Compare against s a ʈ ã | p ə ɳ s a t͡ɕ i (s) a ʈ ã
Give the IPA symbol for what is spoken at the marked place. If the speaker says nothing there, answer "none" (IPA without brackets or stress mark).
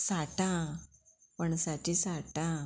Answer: s